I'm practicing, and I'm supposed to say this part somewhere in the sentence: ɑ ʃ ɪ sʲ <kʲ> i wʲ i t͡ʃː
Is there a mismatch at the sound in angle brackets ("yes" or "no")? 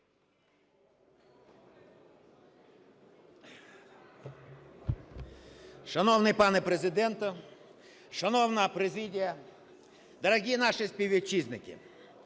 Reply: yes